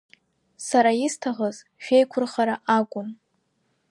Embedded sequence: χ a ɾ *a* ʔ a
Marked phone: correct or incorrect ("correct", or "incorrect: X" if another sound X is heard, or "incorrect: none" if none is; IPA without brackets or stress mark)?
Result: correct